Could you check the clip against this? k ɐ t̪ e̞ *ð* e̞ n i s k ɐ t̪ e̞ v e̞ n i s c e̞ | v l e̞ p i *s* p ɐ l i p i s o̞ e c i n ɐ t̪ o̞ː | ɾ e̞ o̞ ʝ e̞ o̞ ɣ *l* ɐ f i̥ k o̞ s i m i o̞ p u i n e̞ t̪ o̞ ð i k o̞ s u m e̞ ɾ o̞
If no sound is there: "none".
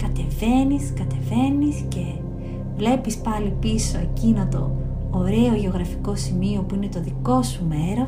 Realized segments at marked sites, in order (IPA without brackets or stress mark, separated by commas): v, s, ɾ